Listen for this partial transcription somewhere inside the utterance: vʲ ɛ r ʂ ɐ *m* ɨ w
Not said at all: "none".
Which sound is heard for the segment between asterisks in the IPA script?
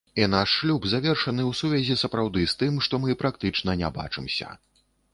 n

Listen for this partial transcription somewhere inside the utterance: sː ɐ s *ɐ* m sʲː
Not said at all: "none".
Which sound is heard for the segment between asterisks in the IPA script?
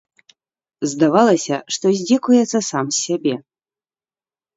a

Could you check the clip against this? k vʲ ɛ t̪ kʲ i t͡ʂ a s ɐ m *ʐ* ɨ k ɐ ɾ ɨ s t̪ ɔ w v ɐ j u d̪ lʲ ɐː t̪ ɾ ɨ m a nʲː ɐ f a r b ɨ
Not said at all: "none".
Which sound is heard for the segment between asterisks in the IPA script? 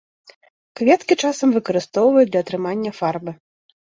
v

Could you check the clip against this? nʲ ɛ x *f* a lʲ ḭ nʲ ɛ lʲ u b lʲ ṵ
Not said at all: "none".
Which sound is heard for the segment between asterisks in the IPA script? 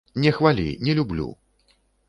v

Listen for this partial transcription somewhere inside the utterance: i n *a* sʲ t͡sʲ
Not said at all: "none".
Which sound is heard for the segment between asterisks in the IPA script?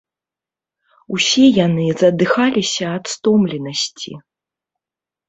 ɐ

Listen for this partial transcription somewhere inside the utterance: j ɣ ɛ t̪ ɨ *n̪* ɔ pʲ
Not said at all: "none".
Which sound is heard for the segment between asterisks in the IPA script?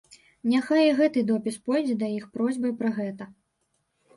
d̪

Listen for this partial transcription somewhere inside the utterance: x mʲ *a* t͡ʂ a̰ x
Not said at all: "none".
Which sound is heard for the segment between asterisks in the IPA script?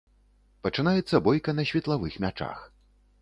a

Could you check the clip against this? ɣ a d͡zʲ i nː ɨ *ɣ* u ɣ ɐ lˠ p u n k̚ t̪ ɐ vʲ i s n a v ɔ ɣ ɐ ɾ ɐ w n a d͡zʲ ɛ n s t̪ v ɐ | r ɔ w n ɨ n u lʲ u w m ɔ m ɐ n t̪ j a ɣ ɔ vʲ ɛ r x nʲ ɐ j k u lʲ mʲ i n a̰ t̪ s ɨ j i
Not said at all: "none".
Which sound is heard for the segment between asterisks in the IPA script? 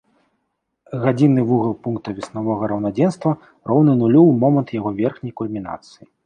v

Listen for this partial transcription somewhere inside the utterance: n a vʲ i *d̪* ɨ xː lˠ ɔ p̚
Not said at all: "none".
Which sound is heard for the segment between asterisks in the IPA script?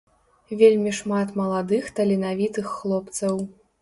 t̪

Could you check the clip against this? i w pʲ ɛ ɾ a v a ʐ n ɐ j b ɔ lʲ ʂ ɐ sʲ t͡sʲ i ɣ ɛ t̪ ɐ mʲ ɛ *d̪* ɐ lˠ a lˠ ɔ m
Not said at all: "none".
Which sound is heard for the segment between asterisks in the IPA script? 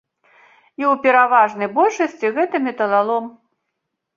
t̪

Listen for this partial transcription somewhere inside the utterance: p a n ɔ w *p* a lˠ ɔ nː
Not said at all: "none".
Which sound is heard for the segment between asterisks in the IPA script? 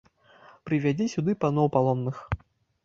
p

